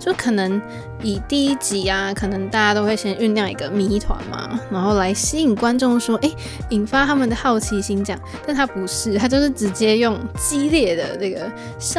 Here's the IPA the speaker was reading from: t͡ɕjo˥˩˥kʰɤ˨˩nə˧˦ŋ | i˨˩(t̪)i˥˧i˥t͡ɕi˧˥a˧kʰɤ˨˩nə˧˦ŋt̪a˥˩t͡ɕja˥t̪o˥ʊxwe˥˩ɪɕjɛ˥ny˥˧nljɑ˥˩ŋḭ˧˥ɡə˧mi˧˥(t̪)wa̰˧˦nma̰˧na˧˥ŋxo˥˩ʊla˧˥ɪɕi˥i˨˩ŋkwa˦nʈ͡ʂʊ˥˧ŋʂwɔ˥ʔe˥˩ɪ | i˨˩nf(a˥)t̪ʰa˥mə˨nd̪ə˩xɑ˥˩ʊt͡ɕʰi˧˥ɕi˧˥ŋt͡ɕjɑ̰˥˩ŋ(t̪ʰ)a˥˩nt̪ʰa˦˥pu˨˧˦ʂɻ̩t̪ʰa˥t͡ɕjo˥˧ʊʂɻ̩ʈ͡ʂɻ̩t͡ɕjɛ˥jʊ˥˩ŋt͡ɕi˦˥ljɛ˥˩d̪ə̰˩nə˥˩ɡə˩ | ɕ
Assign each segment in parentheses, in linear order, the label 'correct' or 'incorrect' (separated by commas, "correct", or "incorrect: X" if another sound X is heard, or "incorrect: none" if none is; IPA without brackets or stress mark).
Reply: correct, incorrect: t̪ʰ, correct, incorrect: t̪